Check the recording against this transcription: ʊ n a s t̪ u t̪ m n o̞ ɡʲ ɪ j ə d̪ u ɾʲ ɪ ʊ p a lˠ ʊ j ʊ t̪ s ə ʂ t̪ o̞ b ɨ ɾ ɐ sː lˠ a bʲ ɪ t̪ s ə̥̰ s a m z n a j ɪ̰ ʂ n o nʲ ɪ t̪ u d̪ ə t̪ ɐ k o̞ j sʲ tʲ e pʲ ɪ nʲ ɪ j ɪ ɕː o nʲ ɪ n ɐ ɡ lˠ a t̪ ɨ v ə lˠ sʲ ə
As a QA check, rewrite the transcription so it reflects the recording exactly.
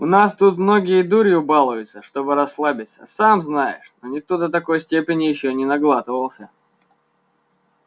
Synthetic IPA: ʊ n a s t̪ u t̪ m n o̞ ɡʲ ɪ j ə d̪ u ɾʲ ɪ ʊ b a lˠ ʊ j ʊ t̪ s ə ʂ t̪ o̞ b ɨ ɾ ɐ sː lˠ a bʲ ɪ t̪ s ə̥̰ s a m z n a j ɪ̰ ʂ n o nʲ ɪ t̪ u d̪ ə t̪ ɐ k o̞ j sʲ tʲ e pʲ ɪ nʲ ɪ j ɪ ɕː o nʲ ɪ n ɐ ɡ lˠ a t̪ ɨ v ə lˠ sʲ ə